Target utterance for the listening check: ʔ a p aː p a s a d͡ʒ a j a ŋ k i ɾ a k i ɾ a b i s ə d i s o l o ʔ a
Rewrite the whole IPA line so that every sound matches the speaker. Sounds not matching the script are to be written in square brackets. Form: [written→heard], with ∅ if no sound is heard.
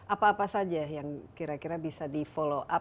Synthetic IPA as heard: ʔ a p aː p a s a d͡ʒ a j a ŋ k i ɾ a k i ɾ a b i s [ə→a] d i [s→f] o l o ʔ a